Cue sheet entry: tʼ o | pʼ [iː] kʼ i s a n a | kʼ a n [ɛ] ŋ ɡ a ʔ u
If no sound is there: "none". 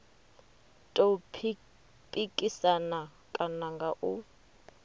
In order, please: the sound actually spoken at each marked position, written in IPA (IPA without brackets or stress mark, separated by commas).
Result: i, a